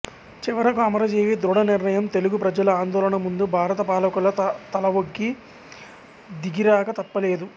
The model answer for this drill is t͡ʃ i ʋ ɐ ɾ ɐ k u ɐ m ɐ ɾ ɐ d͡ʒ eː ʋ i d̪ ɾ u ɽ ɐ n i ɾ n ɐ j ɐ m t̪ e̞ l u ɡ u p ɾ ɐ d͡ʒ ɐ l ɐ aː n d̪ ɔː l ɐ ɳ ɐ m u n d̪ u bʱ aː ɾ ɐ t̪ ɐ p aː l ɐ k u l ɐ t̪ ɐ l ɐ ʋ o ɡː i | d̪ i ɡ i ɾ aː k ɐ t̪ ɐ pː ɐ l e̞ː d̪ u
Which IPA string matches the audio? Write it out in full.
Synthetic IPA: t͡ʃ i ʋ ɐ ɾ ɐ k u ɐ m ɐ ɾ ɐ d͡ʒ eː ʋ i d̪ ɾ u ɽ ɐ n i ɾ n ɐ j ɐ m t̪ e̞ l u ɡ u p ɾ ɐ d͡ʒ ɐ l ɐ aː n d̪ ɔː l ɐ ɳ ɐ m u n d̪ u bʱ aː ɾ ɐ t̪ ɐ p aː l ɐ k u l ɐ t̪ ɐ l ɐ ʋ o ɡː i | d̪ i ɡ i ɾ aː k ɐ t̪ ɐ pː ɐ l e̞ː d̪ u